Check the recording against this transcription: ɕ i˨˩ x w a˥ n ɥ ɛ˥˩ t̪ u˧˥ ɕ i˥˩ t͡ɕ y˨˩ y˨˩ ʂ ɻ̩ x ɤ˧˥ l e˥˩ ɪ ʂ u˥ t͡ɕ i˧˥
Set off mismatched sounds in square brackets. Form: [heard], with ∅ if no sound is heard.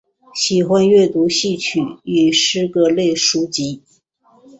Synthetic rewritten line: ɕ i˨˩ x w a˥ n ɥ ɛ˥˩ t̪ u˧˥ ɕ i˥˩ [t͡ɕʰ] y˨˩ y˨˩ ʂ ɻ̩ [k] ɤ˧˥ l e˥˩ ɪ ʂ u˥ t͡ɕ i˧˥